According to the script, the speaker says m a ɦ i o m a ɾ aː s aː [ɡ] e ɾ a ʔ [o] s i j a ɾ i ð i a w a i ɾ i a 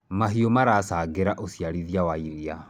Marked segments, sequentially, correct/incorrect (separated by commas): correct, correct